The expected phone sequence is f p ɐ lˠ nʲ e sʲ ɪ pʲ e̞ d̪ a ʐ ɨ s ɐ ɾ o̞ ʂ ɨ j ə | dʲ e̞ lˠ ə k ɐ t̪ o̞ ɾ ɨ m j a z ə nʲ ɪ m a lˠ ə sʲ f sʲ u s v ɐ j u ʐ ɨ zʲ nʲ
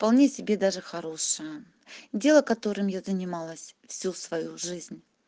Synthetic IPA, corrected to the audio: f p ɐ lˠ nʲ e sʲ ɪ bʲ e̞ d̪ a ʐ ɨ x ɐ ɾ o̞ ʂ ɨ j ə | dʲ e̞ lˠ ə k ɐ t̪ o̞ ɾ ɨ m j a z ə nʲ ɪ m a lˠ ə sʲ f sʲ u s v ɐ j u ʐ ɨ zʲ nʲ